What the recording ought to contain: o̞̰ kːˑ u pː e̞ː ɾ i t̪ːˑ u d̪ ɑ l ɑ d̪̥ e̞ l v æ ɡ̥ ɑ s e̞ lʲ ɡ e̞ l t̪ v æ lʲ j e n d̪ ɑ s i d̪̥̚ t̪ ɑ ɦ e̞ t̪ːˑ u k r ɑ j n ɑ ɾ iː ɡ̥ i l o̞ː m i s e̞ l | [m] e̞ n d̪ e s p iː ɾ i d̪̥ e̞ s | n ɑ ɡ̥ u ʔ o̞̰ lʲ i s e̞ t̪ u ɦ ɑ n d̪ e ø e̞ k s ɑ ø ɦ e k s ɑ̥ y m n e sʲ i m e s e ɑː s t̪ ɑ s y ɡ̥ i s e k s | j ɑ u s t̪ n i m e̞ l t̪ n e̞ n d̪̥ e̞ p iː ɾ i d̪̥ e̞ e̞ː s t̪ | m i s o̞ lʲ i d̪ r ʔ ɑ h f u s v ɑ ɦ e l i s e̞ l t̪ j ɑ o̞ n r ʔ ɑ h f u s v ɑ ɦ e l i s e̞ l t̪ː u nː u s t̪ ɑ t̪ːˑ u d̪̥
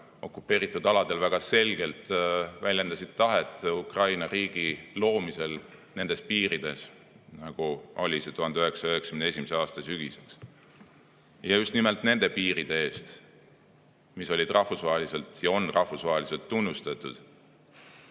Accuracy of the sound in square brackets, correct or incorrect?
incorrect